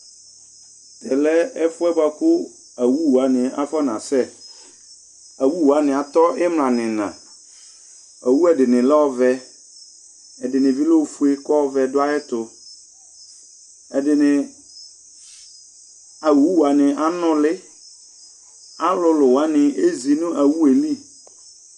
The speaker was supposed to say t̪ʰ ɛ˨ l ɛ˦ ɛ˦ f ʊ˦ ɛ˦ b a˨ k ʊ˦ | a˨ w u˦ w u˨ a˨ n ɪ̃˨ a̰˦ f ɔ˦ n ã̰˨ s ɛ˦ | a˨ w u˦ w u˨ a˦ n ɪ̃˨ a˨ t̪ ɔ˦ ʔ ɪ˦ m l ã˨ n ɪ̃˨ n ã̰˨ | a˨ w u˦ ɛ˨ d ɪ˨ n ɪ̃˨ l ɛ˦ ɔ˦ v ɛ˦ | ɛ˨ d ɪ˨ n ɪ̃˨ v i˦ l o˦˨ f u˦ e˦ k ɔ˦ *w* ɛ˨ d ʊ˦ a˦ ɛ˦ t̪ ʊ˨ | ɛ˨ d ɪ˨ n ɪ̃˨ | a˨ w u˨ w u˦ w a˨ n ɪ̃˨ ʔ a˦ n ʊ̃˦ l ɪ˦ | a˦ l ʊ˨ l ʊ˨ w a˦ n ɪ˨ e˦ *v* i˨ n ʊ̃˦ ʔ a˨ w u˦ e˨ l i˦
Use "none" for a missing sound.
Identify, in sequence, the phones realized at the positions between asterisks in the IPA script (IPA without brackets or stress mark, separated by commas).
v, z